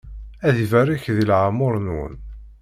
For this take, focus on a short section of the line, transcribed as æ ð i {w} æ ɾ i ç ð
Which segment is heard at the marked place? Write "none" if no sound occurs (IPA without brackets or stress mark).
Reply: v